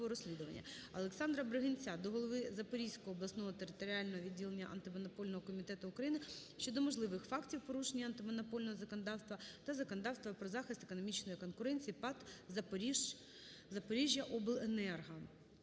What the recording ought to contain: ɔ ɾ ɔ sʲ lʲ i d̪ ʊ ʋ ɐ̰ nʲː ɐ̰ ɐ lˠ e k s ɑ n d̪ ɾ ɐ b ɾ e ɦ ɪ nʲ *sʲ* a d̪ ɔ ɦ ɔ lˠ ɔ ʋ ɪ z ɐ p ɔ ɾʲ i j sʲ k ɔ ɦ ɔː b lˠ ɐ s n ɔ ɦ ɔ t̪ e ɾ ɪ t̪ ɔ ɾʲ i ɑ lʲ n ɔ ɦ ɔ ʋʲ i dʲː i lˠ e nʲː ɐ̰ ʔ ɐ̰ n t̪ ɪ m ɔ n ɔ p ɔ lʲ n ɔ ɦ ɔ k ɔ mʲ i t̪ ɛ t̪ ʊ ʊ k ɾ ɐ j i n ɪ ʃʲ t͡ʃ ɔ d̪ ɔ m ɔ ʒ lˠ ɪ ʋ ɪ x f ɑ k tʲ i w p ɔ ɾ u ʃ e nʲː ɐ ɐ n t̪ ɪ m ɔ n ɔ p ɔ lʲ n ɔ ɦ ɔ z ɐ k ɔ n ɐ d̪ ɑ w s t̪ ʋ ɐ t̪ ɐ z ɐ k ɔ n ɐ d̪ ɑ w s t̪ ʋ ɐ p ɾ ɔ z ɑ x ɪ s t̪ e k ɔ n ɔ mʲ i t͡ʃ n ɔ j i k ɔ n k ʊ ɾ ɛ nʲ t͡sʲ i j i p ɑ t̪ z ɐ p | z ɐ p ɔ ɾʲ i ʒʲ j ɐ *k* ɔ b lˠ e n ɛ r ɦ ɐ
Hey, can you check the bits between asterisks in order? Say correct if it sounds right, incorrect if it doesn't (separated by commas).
incorrect, incorrect